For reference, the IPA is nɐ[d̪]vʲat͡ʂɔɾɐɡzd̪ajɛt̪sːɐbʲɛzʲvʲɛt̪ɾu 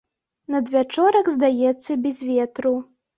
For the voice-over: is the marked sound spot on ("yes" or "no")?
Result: yes